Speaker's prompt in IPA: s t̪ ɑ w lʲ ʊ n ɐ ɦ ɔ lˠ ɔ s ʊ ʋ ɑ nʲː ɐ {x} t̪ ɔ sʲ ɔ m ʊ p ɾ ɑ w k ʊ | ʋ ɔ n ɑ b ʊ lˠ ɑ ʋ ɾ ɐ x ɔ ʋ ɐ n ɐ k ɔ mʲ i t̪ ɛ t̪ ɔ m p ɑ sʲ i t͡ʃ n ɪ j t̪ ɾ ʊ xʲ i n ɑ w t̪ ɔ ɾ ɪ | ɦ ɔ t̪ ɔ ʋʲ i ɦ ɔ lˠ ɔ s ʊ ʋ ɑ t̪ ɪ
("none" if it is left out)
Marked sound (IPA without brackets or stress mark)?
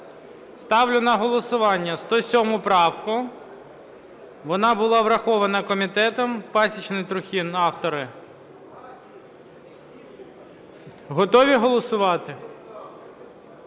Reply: s